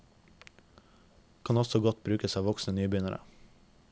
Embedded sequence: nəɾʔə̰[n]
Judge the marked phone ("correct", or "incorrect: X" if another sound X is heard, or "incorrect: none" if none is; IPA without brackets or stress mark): incorrect: none